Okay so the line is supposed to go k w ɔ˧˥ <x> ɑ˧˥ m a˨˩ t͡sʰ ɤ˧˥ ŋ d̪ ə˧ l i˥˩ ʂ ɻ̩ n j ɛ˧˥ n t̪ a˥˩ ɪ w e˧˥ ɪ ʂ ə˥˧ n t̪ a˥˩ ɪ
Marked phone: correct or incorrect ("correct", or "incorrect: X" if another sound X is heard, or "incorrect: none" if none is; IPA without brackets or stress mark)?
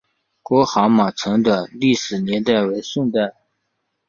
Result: correct